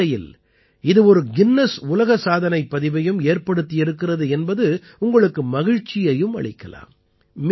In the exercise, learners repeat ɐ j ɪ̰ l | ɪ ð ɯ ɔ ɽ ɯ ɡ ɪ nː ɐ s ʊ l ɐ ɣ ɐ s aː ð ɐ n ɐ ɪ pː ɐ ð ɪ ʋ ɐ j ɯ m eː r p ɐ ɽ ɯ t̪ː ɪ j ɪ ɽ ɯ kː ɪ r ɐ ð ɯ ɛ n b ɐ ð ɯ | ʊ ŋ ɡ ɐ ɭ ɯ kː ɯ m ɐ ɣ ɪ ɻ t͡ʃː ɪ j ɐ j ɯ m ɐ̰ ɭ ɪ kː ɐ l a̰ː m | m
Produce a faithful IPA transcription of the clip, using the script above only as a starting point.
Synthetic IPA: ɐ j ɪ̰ l | ɪ ð ɯ ɔ ɾ ɯ ɡ ɪ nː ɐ s ʊ l ɐ ɣ ɐ s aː ð ɐ n ɐ ɪ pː ɐ ð ɪ ʋ ɐ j ɯ m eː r p ɐ ɽ ɯ t̪ː ɪ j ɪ ɾ ɯ kː ɪ r ɐ ð ɯ ɛ n b ɐ ð ɯ | ʊ ŋ ɡ ɐ ɭ ɯ kː ɯ m ɐ ɣ ɪ ɻ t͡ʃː ɪ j ɐ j ɯ m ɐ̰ ɭ ɪ kː ɐ l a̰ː m | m